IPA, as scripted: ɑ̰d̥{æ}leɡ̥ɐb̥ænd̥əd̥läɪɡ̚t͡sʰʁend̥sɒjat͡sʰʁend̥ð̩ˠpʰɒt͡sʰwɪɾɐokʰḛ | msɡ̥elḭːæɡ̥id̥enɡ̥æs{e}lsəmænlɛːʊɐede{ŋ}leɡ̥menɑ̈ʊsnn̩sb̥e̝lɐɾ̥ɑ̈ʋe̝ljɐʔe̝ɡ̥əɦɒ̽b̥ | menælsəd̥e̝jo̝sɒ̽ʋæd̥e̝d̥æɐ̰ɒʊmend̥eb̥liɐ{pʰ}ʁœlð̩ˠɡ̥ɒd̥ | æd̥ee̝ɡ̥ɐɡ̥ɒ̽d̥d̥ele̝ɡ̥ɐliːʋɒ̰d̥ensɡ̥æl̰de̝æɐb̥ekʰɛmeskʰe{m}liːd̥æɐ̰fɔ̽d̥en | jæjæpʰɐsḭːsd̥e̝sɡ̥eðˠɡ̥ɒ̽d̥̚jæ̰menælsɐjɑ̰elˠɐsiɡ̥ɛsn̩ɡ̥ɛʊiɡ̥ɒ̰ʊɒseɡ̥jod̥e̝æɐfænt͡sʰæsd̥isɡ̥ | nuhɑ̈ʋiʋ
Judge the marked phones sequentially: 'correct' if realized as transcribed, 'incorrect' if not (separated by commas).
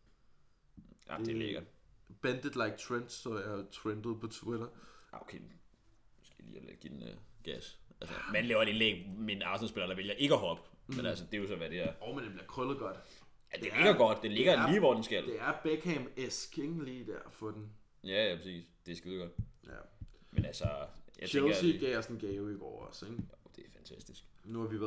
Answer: incorrect, incorrect, incorrect, incorrect, incorrect